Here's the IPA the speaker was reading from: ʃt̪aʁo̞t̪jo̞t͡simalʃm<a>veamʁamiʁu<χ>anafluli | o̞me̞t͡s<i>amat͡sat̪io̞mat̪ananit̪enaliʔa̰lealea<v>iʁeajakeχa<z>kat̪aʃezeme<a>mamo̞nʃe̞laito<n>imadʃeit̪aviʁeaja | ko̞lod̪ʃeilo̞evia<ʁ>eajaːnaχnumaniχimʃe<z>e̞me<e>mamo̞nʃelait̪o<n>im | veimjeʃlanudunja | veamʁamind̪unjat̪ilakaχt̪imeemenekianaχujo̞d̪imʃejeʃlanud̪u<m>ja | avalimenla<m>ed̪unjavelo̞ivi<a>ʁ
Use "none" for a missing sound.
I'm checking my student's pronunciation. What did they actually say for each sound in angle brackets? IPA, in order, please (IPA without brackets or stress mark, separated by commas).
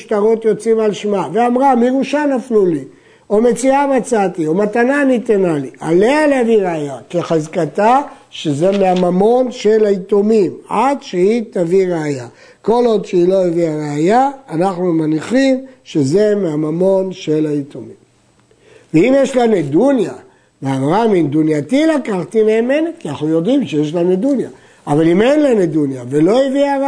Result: a, ʃ, i, v, z, a, m, ʁ, z, a, m, n, n, a